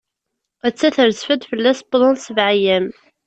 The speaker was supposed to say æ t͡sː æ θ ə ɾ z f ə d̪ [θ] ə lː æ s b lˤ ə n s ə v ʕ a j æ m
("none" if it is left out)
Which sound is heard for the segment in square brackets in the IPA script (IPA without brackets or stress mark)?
f